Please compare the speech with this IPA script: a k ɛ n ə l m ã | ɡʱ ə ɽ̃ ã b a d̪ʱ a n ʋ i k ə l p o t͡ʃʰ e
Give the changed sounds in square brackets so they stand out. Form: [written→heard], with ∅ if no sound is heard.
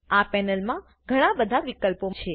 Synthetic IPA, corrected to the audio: a [k→p] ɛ n ə l m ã | ɡʱ ə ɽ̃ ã b [a→ə] d̪ʱ a [n→∅] ʋ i k ə l p o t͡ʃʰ e